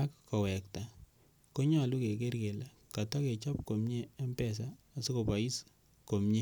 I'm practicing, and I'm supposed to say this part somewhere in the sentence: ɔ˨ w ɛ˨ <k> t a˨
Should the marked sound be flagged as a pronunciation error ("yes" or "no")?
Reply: no